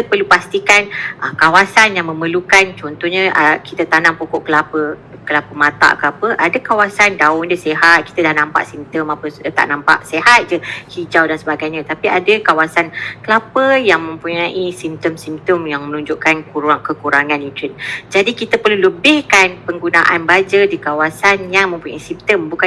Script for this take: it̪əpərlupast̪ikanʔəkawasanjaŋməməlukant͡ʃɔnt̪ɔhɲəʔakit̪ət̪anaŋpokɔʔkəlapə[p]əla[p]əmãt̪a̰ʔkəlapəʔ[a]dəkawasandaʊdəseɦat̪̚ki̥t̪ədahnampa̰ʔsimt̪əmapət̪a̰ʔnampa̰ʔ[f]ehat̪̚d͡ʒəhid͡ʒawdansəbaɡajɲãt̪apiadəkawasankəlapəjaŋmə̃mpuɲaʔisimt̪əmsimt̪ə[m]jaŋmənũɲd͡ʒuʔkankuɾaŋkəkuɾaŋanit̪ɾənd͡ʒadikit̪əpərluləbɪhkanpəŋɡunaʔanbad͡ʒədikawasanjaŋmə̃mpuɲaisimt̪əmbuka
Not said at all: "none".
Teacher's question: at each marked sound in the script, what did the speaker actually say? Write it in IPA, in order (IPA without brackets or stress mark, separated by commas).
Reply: k, p, a, s, m